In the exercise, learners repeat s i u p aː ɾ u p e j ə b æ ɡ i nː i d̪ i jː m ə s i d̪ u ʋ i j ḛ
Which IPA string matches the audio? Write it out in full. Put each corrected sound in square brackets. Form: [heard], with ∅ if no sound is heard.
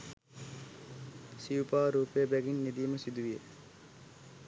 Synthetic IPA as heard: s i u p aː ɾ [uː] p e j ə b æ ɡ i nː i d̪ i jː m ə s i d̪ u ʋ i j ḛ